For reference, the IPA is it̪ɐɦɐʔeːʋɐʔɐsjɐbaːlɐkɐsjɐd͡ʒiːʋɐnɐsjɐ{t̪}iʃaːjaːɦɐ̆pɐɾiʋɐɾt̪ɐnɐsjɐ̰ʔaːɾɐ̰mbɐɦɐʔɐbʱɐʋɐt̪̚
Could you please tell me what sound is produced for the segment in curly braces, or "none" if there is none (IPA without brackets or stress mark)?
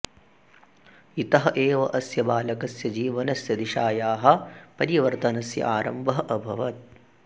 d̪